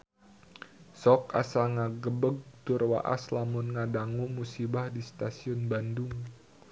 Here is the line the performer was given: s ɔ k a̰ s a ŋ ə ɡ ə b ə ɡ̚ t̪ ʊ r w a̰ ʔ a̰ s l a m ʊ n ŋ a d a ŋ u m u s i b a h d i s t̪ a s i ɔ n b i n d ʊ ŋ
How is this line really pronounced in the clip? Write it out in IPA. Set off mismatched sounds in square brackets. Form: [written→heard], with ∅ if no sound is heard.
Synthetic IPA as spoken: s ɔ k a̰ s a ŋ [ə→a] ɡ ə b ə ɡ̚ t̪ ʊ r w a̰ ʔ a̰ s l a m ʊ n ŋ a d a ŋ u m u s i b a h d i s t̪ a s i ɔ n b [i→a] n d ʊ ŋ